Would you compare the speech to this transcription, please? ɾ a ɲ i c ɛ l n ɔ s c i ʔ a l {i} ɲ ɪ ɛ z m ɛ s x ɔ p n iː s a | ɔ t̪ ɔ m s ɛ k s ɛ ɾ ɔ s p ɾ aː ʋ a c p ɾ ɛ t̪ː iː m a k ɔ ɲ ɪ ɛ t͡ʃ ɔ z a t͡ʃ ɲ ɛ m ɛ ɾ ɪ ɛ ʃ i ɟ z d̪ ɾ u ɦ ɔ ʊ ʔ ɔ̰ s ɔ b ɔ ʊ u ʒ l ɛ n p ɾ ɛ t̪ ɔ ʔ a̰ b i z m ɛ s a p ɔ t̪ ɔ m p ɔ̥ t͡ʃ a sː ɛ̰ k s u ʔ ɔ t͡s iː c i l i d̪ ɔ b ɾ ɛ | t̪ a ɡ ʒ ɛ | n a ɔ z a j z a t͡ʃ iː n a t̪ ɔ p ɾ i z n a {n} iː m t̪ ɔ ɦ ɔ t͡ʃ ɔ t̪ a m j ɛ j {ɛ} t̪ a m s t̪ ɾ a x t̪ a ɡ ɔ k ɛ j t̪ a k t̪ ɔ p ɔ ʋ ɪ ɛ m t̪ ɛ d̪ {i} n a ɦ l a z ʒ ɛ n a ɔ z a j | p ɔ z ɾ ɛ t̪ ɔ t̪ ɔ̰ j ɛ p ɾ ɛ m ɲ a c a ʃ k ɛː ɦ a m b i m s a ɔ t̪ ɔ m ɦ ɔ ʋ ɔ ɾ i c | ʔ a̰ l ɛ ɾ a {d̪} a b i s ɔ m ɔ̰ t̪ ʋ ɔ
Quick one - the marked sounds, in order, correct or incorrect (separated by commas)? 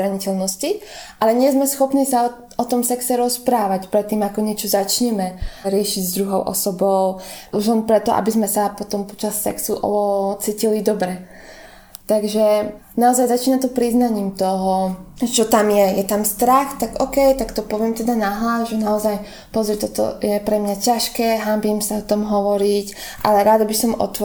incorrect, incorrect, correct, incorrect, correct